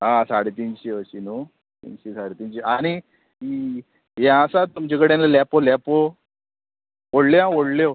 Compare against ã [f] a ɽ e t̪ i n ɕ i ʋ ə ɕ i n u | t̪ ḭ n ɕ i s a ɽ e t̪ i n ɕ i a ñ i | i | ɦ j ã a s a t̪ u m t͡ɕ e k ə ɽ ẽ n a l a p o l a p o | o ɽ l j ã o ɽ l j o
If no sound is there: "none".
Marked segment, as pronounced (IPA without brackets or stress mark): s